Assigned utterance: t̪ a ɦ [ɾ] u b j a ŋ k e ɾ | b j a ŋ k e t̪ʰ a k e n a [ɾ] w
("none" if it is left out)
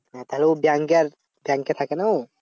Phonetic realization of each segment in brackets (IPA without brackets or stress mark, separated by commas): l, none